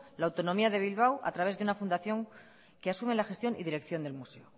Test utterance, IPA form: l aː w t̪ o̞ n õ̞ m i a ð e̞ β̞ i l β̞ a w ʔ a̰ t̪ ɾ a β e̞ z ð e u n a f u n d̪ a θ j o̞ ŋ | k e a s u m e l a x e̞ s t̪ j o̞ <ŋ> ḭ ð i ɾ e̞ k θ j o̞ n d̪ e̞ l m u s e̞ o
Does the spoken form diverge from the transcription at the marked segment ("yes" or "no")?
yes